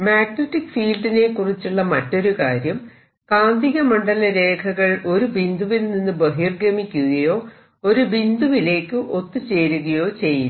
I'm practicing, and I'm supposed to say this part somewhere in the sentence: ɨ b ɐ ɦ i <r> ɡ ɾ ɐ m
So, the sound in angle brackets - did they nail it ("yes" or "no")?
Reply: yes